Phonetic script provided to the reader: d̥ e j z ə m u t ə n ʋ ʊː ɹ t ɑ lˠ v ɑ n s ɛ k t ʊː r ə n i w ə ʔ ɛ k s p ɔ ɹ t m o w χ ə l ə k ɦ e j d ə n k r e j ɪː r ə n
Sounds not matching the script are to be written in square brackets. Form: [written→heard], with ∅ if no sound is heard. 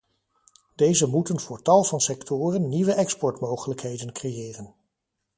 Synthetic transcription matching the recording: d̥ e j z ə m u t ə n [ʋ→v] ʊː ɹ t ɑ lˠ v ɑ n s ɛ k t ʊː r ə [n→nː] i [w→ʋ] ə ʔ ɛ k s p ɔ ɹ t m o w χ ə l ə k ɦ e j d ə n k r e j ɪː r ə n